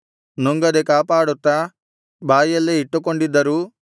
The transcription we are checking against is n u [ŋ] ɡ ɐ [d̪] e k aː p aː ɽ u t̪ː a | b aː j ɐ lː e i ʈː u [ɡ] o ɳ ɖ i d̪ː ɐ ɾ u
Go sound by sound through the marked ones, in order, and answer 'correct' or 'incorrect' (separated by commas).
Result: correct, correct, incorrect